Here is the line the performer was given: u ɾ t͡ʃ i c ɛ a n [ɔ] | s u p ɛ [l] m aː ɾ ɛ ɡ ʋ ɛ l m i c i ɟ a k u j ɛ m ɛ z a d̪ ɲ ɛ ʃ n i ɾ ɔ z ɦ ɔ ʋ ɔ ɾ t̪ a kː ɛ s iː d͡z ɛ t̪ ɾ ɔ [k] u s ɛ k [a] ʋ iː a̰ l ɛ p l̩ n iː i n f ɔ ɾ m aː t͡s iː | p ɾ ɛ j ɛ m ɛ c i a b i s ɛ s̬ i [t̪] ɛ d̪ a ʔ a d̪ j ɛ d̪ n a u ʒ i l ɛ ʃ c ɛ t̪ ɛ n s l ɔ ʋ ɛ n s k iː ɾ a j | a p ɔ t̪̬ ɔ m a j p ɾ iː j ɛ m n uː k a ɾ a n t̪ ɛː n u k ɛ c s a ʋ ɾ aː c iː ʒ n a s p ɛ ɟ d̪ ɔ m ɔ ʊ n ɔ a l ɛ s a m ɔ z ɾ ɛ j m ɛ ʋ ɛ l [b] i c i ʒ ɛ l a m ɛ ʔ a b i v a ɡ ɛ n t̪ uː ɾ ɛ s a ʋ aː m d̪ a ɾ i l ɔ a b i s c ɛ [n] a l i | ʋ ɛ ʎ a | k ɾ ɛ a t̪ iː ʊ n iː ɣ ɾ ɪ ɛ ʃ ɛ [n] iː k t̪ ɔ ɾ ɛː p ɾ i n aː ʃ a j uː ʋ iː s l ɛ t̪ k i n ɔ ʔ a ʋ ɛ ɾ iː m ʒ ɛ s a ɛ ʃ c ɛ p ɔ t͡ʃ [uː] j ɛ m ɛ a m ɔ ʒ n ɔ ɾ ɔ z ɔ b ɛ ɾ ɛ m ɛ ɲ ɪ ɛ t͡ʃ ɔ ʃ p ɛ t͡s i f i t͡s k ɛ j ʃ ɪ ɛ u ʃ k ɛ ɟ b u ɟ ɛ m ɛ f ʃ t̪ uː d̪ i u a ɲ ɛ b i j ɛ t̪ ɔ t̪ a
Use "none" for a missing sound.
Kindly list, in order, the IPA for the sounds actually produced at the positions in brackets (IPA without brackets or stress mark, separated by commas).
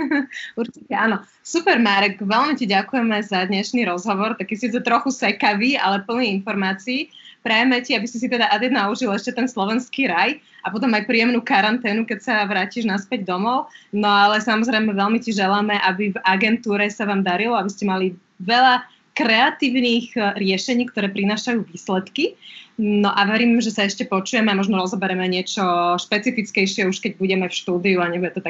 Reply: ɔ, ɾ, x, a, t̪, m, m, ɲ, u